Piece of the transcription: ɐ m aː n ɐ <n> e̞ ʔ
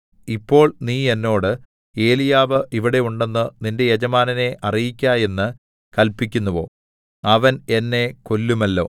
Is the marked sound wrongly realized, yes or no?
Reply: no